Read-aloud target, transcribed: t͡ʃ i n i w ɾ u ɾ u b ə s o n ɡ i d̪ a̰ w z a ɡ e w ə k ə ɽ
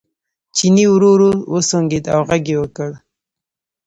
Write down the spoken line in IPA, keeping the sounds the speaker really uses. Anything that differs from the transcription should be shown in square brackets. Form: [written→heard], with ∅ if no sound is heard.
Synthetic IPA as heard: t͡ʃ i n i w ɾ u ɾ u [b→w] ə s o [n→ŋ] ɡ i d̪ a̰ w [z→ɣ] a ɡ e w ə k ə ɽ